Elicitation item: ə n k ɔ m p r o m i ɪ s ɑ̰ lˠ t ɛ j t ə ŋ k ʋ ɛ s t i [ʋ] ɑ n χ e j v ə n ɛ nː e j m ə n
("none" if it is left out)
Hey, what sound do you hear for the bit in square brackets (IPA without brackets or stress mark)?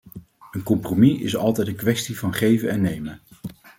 v